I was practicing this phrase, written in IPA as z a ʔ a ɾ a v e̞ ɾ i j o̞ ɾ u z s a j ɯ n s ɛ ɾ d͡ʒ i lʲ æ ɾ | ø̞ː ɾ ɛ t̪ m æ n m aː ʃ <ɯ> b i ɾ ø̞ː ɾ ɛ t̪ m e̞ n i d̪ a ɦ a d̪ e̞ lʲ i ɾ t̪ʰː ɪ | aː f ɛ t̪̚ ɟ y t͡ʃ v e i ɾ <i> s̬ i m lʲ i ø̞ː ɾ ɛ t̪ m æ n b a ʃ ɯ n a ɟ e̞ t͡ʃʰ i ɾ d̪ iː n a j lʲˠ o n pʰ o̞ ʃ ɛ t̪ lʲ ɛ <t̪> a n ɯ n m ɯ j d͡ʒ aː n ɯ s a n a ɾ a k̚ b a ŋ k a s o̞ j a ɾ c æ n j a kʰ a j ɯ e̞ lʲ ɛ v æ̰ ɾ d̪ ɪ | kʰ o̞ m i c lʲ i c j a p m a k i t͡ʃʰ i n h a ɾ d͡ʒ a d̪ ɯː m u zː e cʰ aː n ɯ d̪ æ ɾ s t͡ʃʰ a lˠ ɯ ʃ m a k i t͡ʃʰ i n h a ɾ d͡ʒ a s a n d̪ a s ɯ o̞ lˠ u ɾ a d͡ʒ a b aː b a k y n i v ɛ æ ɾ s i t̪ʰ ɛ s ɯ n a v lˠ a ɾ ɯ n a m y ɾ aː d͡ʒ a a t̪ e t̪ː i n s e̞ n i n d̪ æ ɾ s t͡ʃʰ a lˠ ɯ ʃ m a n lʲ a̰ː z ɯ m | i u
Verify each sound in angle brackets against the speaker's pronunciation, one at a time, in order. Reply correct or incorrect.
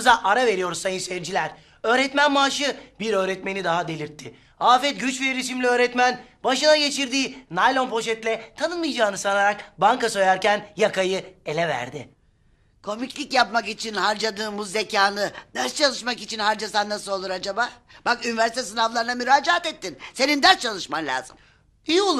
correct, correct, incorrect

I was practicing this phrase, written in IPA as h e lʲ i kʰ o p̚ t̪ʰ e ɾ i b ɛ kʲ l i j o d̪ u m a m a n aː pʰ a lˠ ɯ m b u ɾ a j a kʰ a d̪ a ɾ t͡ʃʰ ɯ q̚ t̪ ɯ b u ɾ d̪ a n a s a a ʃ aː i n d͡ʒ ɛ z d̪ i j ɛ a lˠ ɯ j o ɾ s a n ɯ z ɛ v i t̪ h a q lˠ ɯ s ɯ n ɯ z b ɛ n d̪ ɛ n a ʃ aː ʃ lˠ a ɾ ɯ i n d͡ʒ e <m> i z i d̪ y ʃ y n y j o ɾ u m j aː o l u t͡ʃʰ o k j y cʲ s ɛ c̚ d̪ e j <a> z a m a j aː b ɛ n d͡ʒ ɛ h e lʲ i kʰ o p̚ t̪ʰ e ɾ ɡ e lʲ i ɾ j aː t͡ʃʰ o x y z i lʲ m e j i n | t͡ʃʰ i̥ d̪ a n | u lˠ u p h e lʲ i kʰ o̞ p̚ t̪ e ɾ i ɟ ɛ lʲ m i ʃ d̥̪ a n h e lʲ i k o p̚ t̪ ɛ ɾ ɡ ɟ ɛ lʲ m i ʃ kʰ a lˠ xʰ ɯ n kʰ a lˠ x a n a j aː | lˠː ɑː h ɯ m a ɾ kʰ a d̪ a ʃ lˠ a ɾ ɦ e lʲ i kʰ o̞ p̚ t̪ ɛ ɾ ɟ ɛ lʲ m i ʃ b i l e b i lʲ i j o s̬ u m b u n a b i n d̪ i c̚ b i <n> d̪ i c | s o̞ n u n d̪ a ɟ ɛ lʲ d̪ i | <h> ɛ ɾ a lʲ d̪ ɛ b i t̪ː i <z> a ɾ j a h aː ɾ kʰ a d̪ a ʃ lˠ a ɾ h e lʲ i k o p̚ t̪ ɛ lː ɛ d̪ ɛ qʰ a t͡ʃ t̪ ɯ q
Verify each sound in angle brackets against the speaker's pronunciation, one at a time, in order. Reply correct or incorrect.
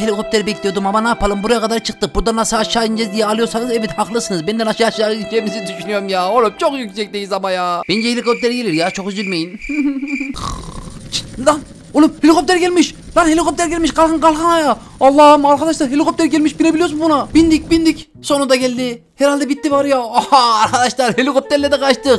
correct, incorrect, correct, correct, incorrect

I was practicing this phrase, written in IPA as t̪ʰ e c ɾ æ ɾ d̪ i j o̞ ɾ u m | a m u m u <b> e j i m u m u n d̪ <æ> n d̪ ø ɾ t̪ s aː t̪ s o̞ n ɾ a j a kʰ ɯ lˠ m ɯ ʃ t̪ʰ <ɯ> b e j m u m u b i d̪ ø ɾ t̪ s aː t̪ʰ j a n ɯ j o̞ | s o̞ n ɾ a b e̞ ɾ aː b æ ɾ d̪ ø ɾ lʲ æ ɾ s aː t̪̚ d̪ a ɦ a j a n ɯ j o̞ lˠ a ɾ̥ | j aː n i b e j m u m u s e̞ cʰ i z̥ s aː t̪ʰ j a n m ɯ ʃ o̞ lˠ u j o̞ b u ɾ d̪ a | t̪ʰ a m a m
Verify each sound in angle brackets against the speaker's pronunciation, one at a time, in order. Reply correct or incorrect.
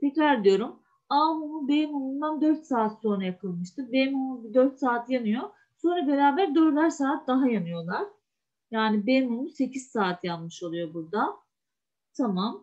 correct, incorrect, correct

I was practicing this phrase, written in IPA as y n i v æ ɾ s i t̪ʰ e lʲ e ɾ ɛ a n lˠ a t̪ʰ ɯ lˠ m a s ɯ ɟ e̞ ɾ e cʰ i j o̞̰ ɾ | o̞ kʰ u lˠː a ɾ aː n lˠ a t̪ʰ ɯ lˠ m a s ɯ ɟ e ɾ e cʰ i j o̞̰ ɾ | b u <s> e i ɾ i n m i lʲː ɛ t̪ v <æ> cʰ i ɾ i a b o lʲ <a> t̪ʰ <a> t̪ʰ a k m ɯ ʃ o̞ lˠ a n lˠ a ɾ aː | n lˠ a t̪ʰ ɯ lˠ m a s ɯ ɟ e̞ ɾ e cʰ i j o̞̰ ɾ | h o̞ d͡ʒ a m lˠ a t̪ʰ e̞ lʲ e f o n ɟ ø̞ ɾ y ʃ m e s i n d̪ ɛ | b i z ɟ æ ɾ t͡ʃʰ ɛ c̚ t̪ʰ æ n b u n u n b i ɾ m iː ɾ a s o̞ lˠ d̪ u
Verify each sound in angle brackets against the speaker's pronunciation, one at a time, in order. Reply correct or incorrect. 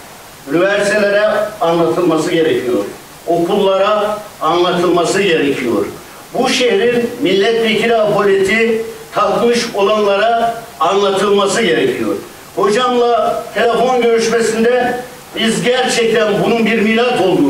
incorrect, incorrect, incorrect, incorrect

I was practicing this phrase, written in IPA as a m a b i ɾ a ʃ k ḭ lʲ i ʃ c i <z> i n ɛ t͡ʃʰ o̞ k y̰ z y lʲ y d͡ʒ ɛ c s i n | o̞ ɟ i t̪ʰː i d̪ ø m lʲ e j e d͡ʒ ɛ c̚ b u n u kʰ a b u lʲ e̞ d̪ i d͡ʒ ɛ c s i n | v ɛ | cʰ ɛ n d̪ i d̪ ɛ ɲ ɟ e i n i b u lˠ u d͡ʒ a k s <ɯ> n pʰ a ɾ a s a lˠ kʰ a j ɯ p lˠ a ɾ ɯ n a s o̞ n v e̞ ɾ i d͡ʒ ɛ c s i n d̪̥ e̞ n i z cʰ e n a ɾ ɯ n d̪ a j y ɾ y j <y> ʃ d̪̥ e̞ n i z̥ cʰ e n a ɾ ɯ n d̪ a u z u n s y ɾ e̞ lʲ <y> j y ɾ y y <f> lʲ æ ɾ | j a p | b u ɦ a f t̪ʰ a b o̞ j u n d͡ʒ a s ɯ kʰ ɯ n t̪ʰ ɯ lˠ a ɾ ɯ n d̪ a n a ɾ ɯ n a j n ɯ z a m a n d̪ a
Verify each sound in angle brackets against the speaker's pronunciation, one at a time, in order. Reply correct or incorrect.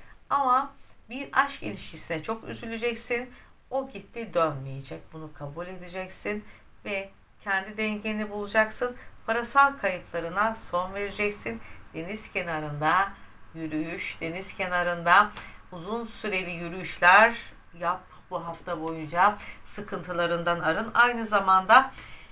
incorrect, correct, correct, incorrect, incorrect

